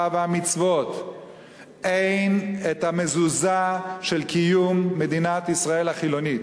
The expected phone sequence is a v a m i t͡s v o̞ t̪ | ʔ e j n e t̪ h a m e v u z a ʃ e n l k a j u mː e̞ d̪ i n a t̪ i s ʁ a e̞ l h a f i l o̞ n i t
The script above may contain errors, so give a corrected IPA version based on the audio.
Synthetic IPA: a v a m i t͡s v o̞ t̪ | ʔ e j n e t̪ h a m e z u z a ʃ e l k i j u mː e̞ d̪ i n a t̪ i s ʁ a e̞ l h a χ i l o̞ n i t